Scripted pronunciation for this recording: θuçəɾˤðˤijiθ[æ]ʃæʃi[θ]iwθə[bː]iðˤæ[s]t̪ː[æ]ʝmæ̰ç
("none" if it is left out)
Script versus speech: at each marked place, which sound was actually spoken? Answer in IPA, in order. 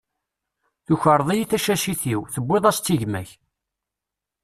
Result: æ, θ, bː, s, i

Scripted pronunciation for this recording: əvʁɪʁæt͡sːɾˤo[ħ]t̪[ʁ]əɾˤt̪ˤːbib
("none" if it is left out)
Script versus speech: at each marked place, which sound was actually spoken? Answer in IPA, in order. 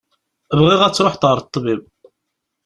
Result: ħ, ʁ

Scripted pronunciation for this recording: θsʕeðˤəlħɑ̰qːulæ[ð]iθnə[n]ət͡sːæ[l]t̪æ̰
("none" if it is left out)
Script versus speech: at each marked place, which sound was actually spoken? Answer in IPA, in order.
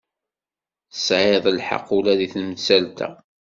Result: ð, m, l

